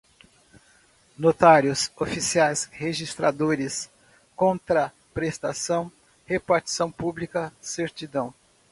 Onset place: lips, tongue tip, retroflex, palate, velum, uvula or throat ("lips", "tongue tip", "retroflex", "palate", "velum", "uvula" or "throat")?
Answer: tongue tip